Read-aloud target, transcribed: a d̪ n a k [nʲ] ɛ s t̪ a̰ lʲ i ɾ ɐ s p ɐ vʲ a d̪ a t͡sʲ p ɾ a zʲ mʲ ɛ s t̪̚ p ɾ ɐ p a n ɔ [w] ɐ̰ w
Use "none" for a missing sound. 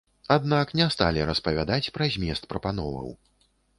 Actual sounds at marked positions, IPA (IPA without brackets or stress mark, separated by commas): nʲ, v